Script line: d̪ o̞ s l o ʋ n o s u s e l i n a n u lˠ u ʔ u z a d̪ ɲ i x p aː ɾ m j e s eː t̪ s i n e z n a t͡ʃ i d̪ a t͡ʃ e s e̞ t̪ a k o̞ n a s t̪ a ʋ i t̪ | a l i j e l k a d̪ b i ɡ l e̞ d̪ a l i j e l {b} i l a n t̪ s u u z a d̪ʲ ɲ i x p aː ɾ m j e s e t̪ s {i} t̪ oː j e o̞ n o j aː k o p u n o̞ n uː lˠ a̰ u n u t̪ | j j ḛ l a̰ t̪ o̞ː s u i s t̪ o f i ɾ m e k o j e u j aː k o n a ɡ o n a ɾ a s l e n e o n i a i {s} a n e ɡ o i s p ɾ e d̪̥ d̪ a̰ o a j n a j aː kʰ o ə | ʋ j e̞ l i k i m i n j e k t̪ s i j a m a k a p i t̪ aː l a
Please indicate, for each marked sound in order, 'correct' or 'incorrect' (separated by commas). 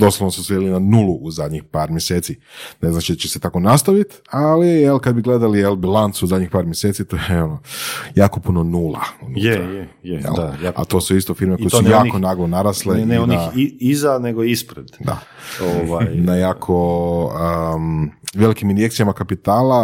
correct, correct, incorrect